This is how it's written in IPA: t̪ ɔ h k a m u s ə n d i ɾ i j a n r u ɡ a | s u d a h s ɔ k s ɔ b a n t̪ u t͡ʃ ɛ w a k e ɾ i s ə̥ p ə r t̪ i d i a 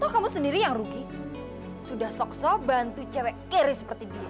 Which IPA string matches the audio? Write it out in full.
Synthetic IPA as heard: t̪ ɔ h k a m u s ə n d i ɾ i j a ŋ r u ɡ i | s u d a h s ɔ k s ɔ b a n t̪ u t͡ʃ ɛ w ɛ k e ɾ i s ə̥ p ə r t̪ i d i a